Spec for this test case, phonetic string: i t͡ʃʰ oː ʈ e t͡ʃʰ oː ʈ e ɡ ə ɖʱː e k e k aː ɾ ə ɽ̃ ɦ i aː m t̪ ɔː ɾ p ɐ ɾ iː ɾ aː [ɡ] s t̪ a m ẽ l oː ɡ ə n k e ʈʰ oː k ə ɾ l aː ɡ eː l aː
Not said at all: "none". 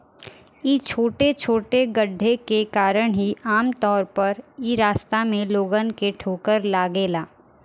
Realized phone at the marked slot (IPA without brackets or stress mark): none